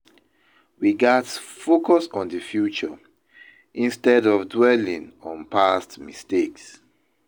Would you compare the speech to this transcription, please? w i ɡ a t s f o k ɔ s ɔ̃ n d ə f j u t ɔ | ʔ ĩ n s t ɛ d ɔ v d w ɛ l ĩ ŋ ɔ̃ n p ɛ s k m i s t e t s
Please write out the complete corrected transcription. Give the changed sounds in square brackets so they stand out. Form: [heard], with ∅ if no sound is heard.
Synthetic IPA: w i ɡ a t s f o k ɔ s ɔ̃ n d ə f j u [t͡ʃ] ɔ | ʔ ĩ n s t ɛ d ɔ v d w ɛ l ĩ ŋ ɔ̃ n p [a] s [t] m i s t e [k] s